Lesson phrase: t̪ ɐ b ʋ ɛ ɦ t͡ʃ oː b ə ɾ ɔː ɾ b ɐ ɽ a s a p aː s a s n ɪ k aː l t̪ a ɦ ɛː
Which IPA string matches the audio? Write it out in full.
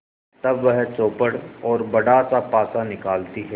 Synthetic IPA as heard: t̪ ɐ b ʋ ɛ ɦ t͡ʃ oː p ə ɽ ɔː ɾ b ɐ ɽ a s a p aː s a n ɪ k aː l t̪ i ɦ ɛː